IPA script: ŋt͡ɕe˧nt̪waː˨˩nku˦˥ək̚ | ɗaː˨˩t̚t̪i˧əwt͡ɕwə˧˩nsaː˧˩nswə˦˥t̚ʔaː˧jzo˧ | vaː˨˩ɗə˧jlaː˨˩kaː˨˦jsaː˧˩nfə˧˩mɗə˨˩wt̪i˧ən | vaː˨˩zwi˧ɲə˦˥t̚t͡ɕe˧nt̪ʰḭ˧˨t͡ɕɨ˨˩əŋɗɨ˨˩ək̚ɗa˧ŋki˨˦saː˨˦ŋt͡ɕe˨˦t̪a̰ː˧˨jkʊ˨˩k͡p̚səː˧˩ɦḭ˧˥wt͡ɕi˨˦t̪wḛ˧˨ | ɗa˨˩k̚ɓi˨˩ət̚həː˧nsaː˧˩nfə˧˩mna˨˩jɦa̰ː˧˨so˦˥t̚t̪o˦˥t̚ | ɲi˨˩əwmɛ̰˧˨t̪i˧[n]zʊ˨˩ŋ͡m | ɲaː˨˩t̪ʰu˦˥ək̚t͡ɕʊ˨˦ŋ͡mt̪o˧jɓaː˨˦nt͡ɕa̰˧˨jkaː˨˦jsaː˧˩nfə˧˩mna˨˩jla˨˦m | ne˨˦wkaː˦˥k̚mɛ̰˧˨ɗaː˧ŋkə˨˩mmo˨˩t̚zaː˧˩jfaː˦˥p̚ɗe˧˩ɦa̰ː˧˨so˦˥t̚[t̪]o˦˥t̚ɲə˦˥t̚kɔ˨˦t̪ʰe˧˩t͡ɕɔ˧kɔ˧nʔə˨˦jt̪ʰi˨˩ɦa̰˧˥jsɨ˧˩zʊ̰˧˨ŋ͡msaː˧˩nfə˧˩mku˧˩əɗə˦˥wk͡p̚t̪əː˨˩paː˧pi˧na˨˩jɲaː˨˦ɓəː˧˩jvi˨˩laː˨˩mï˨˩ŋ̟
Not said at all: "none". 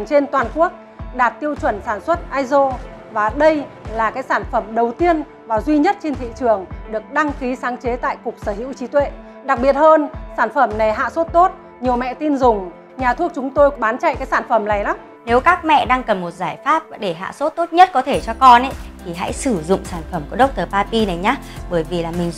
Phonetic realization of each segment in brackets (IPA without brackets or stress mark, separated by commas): n, t̪